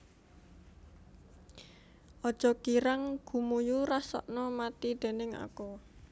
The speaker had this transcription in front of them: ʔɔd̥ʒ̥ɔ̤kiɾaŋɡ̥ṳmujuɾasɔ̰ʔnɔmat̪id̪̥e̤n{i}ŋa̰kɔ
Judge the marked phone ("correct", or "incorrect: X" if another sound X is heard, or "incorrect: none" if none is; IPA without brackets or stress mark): incorrect: ɪ